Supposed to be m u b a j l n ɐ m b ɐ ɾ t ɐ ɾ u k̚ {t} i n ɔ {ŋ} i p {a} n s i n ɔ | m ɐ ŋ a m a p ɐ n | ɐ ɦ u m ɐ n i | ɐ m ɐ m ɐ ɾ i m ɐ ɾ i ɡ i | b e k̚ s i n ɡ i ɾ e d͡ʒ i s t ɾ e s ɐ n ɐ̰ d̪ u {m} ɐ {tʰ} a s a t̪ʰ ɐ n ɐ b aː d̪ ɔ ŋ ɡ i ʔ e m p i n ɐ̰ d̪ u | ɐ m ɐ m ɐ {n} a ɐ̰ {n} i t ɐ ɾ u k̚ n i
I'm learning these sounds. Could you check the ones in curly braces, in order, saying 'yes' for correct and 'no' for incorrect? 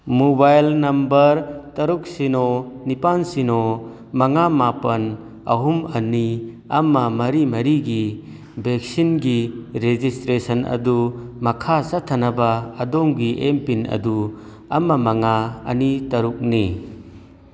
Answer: no, no, yes, yes, no, no, yes

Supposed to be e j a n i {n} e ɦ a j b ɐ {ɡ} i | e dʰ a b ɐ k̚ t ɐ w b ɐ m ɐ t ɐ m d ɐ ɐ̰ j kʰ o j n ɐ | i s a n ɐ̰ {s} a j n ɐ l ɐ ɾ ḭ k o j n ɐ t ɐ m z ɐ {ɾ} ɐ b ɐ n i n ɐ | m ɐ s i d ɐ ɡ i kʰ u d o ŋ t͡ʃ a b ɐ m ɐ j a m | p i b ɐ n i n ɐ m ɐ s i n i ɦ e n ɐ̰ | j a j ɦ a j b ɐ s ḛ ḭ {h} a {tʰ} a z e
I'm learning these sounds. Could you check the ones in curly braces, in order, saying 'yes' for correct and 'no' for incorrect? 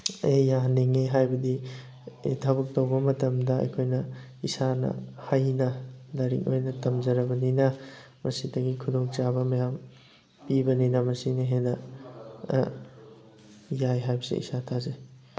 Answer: no, no, no, yes, no, yes

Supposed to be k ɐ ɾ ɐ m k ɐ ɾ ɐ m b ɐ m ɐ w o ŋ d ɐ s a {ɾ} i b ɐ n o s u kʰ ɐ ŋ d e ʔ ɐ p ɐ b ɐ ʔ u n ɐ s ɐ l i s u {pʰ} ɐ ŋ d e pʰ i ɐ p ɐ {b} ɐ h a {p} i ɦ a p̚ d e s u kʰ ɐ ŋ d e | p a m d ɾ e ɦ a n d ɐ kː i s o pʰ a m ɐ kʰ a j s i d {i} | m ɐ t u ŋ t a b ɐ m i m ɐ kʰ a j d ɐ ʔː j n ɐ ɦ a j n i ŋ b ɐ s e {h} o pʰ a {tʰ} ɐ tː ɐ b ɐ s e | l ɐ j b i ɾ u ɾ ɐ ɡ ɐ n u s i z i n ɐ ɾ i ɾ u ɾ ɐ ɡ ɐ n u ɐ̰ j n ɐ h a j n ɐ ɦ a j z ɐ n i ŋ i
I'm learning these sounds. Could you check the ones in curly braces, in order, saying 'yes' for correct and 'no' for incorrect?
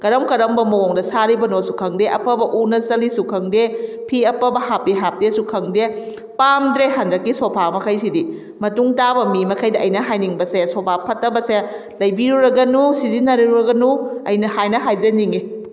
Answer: yes, no, yes, yes, yes, no, no

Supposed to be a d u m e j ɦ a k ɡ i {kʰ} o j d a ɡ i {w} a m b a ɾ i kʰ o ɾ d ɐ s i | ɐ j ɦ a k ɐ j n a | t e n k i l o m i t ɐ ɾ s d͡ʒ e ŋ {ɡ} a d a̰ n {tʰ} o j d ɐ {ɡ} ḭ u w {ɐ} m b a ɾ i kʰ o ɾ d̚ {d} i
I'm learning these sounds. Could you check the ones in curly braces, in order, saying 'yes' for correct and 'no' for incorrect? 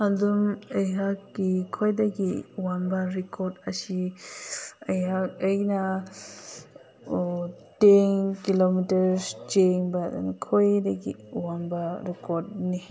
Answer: yes, yes, no, no, yes, no, no

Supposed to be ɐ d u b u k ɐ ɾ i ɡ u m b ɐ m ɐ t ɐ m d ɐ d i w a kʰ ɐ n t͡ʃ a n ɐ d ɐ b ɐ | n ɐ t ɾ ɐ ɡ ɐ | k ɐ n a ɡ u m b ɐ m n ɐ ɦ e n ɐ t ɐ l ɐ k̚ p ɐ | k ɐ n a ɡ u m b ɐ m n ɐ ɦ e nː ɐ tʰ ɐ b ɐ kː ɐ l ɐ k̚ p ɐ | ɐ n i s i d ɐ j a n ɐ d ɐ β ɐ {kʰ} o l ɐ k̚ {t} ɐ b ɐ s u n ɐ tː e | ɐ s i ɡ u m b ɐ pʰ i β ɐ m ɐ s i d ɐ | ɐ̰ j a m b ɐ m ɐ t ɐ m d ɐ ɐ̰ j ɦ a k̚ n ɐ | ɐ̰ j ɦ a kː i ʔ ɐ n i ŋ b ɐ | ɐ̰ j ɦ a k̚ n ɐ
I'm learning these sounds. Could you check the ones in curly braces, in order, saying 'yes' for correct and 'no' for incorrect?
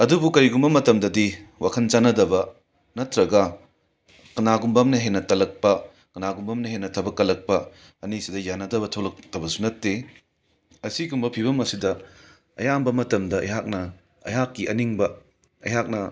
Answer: no, yes

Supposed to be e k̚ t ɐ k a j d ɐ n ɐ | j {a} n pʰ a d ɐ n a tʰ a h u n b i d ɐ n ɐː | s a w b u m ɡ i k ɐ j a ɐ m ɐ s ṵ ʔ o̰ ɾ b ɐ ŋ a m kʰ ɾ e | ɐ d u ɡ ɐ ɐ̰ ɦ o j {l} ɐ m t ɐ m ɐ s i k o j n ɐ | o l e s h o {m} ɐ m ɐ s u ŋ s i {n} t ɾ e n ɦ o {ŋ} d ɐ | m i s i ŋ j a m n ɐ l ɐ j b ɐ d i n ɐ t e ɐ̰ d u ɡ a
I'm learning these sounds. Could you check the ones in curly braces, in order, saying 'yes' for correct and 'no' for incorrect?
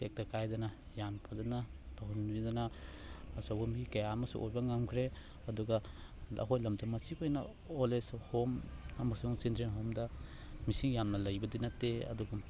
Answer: yes, yes, yes, yes, no

